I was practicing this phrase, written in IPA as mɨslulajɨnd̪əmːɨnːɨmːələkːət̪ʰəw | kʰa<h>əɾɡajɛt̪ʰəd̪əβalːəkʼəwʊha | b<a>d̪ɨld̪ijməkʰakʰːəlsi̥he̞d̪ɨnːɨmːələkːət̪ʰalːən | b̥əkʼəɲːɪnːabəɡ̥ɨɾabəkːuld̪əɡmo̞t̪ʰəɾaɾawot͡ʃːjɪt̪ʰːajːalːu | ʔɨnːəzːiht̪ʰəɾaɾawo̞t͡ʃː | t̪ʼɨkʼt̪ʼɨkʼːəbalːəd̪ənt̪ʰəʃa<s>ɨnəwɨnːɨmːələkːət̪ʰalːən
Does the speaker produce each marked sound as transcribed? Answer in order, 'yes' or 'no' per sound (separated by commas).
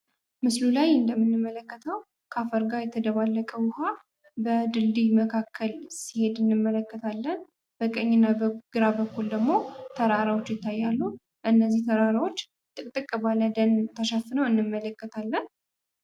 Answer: no, no, no